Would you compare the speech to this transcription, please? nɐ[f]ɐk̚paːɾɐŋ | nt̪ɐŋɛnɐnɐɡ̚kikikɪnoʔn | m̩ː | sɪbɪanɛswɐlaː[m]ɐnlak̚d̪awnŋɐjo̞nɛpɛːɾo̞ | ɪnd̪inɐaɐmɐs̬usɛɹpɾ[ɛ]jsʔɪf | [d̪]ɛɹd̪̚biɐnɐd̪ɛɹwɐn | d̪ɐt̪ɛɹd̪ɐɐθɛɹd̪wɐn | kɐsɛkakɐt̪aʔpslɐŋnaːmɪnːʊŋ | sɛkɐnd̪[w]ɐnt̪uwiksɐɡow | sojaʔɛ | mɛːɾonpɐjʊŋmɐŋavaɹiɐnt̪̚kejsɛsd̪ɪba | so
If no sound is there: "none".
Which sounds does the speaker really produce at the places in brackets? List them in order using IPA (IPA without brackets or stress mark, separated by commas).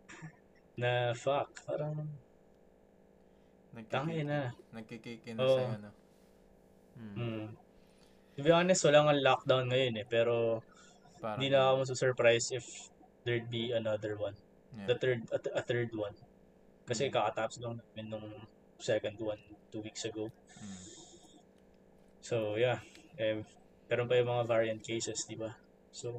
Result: f, ŋ, a, d̪, w